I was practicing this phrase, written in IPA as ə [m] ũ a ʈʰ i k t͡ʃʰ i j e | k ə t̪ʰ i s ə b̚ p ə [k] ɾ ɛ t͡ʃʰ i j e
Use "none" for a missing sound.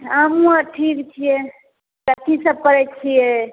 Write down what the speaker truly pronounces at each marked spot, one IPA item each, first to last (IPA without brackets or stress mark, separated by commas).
m, none